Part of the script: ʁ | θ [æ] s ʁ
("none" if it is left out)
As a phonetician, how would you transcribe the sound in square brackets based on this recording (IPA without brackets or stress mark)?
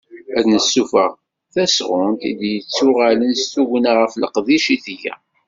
æ